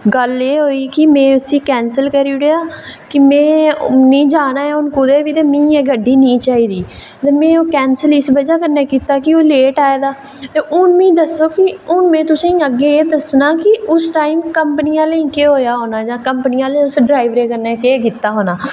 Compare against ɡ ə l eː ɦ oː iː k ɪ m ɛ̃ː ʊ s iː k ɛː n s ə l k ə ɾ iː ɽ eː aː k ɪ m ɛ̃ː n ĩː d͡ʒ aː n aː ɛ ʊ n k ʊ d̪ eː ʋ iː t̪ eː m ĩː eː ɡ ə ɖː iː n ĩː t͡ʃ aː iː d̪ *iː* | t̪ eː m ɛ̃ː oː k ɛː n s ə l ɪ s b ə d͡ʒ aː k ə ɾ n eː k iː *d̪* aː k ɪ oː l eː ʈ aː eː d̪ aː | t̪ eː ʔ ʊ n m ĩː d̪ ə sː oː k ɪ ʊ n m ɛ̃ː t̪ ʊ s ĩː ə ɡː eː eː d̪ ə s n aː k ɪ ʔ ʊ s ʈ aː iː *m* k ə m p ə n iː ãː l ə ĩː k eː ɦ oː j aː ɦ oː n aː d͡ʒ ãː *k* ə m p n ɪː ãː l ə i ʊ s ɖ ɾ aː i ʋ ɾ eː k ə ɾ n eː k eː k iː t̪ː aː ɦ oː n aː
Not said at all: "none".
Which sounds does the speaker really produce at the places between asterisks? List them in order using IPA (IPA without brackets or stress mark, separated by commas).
iː, t̪, m, k